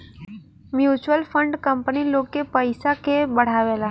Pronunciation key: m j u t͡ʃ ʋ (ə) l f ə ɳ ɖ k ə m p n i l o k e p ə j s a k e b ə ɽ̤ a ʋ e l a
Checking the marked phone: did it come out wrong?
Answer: no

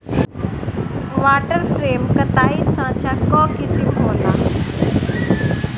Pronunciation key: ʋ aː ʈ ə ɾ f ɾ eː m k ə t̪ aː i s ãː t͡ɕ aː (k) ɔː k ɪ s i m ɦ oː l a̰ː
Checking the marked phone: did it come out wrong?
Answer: no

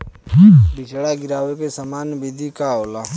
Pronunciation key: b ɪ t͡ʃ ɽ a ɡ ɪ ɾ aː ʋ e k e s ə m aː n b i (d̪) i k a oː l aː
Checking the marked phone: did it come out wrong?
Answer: no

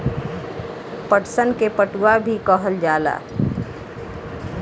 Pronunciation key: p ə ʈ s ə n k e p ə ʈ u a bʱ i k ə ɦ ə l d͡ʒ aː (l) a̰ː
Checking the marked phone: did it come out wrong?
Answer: no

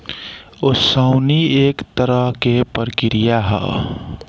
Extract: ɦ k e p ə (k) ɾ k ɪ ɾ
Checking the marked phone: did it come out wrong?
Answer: yes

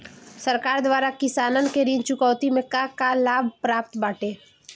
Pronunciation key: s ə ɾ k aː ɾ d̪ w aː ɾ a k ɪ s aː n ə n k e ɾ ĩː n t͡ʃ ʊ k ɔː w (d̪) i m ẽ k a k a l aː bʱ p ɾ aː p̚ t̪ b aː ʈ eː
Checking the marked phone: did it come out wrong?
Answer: yes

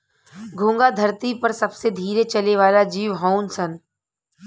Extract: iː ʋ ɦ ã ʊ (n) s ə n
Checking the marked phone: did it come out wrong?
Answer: no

